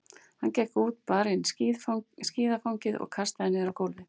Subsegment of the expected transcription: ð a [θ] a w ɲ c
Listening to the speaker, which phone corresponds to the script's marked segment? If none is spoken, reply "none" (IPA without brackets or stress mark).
f